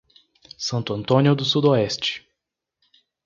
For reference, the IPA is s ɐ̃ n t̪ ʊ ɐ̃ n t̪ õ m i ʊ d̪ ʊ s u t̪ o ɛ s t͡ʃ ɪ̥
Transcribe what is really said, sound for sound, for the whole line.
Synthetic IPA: s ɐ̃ n t̪ ʊ ɐ̃ n t̪ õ n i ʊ d̪ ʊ s u d̪ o ɛ s t͡ʃ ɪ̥